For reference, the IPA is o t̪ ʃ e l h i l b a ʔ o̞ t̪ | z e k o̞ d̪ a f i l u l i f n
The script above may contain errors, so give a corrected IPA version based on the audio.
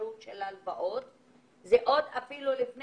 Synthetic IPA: u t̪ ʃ e l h a l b a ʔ o̞ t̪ | z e ʔ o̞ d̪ a f i l u l i f n